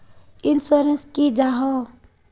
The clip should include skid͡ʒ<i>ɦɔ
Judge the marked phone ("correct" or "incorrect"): incorrect